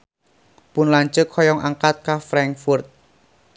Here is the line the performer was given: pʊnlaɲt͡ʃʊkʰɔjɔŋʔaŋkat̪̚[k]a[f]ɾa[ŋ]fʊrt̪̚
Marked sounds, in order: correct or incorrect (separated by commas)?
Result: correct, correct, correct